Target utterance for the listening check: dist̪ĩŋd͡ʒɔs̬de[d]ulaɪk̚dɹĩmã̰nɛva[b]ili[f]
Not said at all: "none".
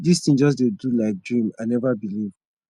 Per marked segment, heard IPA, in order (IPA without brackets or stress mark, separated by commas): d, b, v